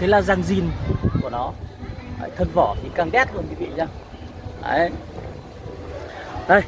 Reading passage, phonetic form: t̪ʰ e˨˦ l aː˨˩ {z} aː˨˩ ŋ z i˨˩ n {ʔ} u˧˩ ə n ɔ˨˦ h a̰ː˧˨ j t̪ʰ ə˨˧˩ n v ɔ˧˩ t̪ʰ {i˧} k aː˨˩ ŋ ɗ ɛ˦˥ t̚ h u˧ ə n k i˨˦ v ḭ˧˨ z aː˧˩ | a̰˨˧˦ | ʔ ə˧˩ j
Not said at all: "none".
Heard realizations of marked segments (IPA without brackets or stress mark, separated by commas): z, k, i˨˩